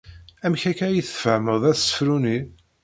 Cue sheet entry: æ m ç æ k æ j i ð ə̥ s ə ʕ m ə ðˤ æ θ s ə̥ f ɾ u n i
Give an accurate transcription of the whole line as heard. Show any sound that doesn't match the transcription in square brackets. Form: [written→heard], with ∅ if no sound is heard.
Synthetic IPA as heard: æ m ç æ k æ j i [ð→θ] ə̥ [s→f] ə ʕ m ə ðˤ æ θ s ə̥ f ɾ u n i